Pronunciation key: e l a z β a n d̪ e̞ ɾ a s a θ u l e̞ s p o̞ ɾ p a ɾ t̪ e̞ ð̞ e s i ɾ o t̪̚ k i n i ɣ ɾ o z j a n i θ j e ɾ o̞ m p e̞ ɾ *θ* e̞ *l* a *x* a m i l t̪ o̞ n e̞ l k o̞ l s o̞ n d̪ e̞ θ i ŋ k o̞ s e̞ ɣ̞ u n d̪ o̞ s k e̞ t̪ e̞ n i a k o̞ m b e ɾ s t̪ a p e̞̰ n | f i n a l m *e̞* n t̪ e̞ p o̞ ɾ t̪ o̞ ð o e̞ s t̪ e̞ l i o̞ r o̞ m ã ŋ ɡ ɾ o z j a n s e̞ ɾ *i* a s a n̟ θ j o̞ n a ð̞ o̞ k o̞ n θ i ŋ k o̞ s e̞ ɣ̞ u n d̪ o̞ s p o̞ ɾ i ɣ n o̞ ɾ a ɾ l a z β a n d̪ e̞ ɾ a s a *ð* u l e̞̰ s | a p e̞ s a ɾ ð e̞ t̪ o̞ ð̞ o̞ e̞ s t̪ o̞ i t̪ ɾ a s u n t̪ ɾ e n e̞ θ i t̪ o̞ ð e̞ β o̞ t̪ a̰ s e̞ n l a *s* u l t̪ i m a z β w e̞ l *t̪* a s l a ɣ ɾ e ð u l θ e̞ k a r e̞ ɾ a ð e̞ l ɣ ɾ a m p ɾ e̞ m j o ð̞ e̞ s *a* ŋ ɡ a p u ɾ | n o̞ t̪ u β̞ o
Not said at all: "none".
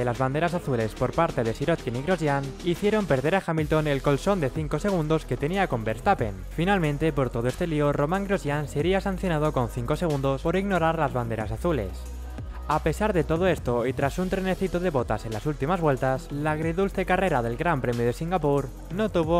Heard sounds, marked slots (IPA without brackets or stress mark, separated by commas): ð, ɾ, x, ẽ̞, i, θ, s, t̪, i